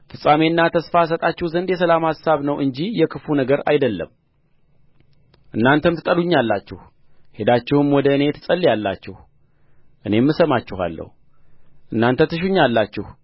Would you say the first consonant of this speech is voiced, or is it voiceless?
voiceless